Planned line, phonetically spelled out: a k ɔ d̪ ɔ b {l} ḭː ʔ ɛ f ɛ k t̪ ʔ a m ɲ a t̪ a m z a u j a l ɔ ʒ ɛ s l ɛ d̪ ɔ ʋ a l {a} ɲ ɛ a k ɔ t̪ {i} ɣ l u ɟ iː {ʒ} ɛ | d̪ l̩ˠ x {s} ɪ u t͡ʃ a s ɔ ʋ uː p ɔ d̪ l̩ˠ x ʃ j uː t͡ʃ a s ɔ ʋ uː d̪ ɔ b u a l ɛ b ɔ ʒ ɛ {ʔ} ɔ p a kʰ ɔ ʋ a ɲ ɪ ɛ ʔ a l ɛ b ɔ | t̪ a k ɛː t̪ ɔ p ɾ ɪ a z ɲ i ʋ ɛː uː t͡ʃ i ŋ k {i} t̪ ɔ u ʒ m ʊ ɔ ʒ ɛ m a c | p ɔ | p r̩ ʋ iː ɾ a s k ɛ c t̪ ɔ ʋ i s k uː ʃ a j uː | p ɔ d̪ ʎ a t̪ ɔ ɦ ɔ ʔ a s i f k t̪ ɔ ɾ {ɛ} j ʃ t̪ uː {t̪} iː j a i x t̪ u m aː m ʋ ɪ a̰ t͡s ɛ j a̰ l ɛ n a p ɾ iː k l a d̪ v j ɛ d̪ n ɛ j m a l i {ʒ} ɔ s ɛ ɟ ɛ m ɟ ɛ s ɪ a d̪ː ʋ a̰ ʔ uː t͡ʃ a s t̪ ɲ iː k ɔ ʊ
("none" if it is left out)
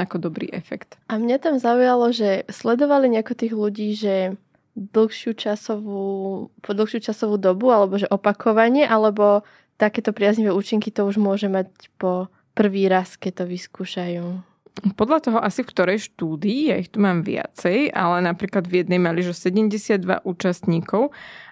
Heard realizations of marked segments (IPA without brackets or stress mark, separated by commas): ɾ, i, iː, ʒ, ʃ, ʔ, i, ɛ, d̪, ʒ